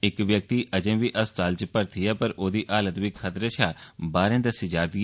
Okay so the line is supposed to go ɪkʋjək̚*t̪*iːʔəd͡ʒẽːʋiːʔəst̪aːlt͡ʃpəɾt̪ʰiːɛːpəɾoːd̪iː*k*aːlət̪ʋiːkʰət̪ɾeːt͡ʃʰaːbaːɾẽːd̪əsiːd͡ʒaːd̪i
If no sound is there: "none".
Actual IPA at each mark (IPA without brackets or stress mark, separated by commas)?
t̪, ʔ